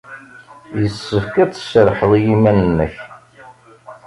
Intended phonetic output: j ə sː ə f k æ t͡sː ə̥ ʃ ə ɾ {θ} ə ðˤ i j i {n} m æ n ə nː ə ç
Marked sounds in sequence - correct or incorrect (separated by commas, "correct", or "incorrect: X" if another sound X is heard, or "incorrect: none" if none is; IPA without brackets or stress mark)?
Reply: incorrect: ħ, incorrect: none